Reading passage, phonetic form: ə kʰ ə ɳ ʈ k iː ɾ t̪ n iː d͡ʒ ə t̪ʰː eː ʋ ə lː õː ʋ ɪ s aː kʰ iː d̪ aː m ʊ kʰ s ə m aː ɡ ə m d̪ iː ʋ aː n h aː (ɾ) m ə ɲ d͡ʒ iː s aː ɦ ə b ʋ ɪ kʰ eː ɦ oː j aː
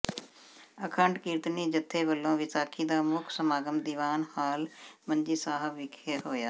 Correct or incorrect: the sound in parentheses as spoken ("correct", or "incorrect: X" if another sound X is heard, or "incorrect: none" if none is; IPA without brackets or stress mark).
incorrect: l